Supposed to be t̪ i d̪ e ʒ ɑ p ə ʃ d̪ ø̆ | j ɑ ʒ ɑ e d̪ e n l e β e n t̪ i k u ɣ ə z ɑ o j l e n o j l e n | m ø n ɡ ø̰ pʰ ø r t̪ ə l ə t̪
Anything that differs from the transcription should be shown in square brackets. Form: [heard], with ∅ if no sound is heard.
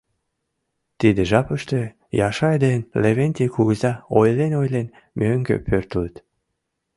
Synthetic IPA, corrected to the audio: t̪ i d̪ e ʒ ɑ p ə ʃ [t̪] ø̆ | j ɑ [ʃ] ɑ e d̪ e n l e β e n t̪ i k u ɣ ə z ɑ o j l e n o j l e n | m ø [ŋ] ɡ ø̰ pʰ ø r t̪ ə l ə t̪

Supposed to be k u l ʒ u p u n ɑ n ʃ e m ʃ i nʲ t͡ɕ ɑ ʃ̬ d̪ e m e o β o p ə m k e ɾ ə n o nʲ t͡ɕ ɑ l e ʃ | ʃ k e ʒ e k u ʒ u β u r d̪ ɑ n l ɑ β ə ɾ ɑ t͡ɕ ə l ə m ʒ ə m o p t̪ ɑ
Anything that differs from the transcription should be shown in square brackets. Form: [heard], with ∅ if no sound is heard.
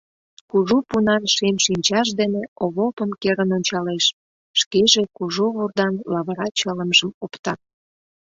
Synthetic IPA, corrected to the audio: k u [∅] ʒ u p u n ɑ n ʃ e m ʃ i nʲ t͡ɕ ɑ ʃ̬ d̪ e [n] e o β o p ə m k e ɾ ə n o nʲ t͡ɕ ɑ l e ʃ | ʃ k e ʒ e k u ʒ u β u r d̪ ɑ n l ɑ β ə ɾ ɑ t͡ɕ ə l ə m ʒ ə m o p t̪ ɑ

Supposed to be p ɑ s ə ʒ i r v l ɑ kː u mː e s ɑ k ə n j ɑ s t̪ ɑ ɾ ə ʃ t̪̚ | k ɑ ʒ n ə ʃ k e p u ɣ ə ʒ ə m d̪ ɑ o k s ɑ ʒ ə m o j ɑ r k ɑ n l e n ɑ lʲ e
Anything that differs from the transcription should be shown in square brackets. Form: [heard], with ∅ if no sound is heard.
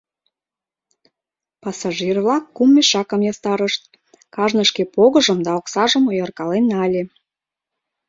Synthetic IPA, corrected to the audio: p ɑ s [ɑ] ʒ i r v l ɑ kː u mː e [ʃ] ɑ k ə [m] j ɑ s t̪ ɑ ɾ ə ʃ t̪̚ | k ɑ ʒ n ə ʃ k e p [o] ɣ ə ʒ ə m d̪ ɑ o k s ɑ ʒ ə m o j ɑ r k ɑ [∅] l e n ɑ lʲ e

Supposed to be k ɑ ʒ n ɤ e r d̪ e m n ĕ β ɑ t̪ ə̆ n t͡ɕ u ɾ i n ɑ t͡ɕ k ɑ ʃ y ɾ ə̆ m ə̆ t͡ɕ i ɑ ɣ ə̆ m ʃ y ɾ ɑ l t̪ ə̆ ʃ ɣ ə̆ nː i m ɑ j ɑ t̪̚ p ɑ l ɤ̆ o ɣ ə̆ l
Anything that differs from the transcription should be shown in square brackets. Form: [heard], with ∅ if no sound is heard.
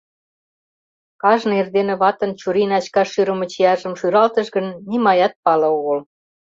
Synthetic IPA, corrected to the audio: k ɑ ʒ n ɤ e r d̪ e [∅] n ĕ β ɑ t̪ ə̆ n t͡ɕ u ɾ i n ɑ t͡ɕ k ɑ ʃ y ɾ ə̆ m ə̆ t͡ɕ i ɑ [ʒ] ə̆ m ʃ y ɾ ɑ l t̪ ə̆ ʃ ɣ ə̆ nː i m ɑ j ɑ t̪̚ p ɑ l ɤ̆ o ɣ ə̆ l

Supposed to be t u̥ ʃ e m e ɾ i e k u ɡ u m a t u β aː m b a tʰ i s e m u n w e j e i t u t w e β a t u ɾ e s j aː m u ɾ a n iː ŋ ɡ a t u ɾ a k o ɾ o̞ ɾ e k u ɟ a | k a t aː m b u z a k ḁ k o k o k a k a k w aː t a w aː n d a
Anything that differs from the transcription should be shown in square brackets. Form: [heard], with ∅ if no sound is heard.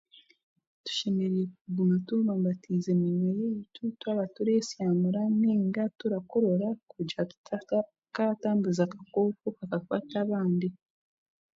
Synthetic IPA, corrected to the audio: t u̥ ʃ e m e ɾ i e k u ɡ u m a t u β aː m b a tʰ i [z] e m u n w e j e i t u t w [a] β a t u ɾ e s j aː m u ɾ a n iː ŋ ɡ a t u ɾ a k o ɾ o̞ ɾ [a] k u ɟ a | k a t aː m b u z a k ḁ k o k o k a k a k w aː t a [β] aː n d [i]

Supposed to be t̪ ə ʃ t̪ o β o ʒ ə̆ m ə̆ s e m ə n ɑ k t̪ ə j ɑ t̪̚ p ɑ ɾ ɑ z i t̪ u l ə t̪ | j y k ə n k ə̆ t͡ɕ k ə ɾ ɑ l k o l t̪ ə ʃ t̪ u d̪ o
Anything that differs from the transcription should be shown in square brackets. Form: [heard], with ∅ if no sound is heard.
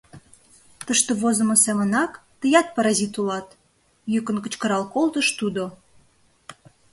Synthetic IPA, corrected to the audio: t̪ ə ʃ t̪ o β o [z] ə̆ m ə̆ s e m ə n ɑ k t̪ ə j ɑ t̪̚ p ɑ ɾ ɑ z i t̪ u l [ɑ] t̪ | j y k ə n k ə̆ t͡ɕ k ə ɾ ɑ l k o l t̪ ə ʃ t̪ u d̪ o

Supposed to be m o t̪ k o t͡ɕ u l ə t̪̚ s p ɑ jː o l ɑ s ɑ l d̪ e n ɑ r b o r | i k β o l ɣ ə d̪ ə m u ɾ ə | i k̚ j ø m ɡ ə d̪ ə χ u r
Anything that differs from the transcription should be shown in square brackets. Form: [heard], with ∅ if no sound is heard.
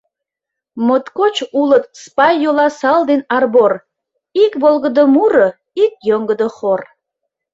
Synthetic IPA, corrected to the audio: m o t̪ k o t͡ɕ u l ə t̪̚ s p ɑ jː o l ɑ s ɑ l d̪ e n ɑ r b o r | i k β o l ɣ ə d̪ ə m u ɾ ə | i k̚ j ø [ŋ] ɡ ə d̪ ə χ [o] r

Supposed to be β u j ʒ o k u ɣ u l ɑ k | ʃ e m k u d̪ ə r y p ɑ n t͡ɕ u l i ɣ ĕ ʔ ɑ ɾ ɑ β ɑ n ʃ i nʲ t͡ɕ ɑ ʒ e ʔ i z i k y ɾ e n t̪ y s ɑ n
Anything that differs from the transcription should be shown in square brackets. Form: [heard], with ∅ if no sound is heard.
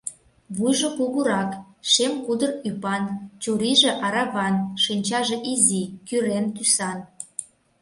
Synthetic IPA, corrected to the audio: β u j ʒ o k u ɣ u [ɾ] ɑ k | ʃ e m k u d̪ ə r y p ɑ n t͡ɕ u [ɾ] i [ʒ] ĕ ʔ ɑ ɾ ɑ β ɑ n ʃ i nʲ t͡ɕ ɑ ʒ e ʔ i z i k y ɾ e n t̪ y s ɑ n

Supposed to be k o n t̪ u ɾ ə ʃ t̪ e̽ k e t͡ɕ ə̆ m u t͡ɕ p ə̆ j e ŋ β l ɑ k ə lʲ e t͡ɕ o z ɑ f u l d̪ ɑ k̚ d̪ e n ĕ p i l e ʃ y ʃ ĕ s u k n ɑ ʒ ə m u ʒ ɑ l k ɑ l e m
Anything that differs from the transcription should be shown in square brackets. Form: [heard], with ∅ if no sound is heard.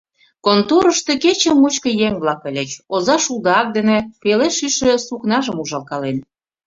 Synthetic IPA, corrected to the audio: k o n t̪ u ɾ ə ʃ t̪ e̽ k e t͡ɕ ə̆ m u t͡ɕ [k] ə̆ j e ŋ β l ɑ k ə lʲ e t͡ɕ o z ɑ [ʃ] u l d̪ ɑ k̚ d̪ e n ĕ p [e] l e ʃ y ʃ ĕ s u k n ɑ ʒ ə m u ʒ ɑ l k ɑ l e [n]

